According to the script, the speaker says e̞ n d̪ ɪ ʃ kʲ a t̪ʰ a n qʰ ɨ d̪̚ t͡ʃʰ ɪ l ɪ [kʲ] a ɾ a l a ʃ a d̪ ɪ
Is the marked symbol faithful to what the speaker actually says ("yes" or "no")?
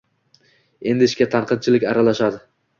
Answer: yes